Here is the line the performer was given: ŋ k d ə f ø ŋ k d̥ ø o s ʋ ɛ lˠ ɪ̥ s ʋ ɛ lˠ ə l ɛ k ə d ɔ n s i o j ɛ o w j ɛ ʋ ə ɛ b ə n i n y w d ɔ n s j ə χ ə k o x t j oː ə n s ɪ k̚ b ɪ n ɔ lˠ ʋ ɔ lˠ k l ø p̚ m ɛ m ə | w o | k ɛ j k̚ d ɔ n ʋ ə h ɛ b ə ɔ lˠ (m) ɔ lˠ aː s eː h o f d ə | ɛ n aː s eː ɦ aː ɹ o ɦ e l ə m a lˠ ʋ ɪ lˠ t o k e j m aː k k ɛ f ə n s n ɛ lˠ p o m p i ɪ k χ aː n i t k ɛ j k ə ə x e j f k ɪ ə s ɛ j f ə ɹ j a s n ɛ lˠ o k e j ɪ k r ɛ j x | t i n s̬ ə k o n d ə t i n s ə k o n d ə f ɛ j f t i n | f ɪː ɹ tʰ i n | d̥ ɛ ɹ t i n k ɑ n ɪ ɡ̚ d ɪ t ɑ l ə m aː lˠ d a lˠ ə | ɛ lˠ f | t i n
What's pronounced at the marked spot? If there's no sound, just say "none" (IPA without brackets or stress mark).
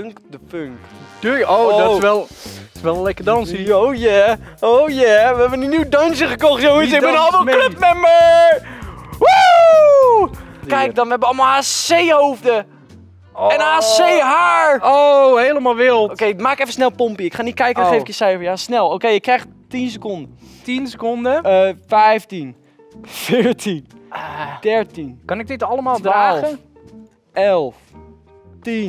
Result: m